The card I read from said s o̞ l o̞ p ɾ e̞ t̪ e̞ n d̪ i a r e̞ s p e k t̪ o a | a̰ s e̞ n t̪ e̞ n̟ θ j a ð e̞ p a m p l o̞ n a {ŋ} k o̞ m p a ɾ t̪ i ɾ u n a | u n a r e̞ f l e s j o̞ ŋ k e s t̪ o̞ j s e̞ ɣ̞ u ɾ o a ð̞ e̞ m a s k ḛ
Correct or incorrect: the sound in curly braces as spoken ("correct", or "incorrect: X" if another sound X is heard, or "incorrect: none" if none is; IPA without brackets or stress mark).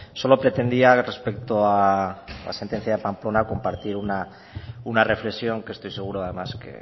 incorrect: none